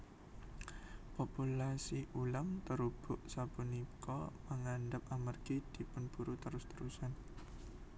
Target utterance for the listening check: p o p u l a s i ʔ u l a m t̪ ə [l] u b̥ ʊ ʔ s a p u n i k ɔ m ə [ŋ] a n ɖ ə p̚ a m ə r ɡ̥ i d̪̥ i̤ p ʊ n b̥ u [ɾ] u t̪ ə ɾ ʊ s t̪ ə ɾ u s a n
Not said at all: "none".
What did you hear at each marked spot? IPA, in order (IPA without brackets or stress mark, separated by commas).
ɾ, ŋ, ɾ